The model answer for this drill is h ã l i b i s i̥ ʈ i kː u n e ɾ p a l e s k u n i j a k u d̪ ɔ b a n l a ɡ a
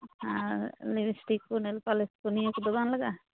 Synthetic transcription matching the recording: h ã l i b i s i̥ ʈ i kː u n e l p a l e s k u n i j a k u d̪ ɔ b a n l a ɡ a